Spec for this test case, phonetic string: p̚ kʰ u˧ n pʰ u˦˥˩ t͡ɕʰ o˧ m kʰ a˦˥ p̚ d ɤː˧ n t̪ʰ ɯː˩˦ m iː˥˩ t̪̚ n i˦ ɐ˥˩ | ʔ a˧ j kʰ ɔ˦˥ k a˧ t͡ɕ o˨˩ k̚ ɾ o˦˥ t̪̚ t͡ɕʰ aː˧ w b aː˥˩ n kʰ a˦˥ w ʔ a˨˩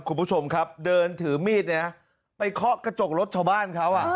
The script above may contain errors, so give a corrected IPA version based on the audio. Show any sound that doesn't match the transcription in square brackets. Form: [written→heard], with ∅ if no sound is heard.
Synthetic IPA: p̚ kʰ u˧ n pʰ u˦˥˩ t͡ɕʰ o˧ m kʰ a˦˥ p̚ d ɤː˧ n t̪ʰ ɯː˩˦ m iː˥˩ t̪̚ n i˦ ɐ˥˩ | [ʔ→p] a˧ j kʰ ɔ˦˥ k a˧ t͡ɕ o˨˩ k̚ ɾ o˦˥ t̪̚ t͡ɕʰ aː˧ w b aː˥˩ n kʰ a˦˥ w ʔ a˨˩